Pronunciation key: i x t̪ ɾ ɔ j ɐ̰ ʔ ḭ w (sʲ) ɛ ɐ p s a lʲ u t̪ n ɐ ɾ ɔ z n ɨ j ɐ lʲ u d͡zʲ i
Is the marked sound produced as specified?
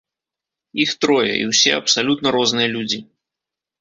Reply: yes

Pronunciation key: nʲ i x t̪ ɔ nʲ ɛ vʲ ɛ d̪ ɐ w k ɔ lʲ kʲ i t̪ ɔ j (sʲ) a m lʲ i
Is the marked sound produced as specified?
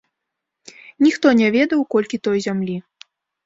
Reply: no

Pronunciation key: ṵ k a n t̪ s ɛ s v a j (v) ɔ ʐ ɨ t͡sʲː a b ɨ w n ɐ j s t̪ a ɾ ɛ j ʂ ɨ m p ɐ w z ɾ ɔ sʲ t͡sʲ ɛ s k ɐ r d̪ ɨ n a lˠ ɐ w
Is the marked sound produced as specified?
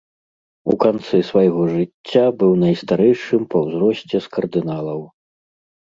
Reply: no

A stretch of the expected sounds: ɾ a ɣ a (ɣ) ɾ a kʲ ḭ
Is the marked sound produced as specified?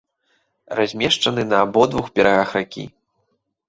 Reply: no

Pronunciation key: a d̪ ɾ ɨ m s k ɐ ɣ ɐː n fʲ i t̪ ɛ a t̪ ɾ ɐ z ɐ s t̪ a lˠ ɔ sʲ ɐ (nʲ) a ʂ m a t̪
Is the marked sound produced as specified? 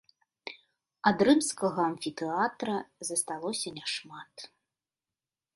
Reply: yes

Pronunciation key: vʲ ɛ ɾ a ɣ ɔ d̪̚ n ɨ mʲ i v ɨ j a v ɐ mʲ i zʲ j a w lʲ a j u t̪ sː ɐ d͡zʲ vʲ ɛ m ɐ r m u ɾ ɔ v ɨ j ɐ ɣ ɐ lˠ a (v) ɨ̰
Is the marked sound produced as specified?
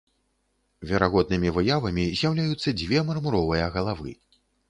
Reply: yes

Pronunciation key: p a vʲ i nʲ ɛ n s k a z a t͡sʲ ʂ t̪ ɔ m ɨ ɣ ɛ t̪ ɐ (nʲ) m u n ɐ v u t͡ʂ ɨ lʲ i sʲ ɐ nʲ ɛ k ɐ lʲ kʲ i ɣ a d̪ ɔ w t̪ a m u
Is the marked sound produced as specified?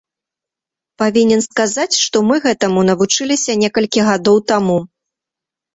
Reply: no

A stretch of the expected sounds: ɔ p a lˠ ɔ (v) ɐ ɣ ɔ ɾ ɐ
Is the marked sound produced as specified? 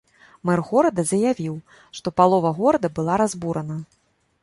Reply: yes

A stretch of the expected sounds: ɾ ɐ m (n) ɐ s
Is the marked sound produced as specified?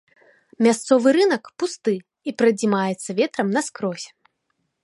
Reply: yes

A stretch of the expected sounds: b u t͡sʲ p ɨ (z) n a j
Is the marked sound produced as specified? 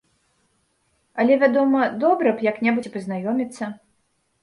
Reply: yes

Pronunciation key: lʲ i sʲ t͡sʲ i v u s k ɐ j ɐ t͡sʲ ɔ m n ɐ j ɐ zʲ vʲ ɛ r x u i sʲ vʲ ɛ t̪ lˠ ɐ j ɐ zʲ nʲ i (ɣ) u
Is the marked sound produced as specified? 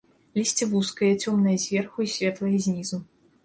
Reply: no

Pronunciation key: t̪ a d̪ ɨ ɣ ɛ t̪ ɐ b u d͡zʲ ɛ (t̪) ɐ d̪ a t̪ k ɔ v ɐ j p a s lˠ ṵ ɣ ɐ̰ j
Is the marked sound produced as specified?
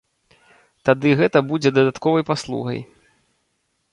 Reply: no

